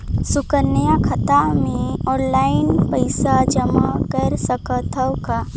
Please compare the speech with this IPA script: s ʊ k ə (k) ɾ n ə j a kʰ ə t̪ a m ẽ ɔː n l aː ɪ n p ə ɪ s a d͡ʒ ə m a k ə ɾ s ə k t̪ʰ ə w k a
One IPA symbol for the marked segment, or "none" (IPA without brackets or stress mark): none